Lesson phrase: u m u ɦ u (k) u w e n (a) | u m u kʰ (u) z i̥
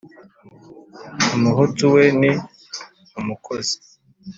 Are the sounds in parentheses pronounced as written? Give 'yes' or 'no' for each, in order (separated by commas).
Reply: no, no, no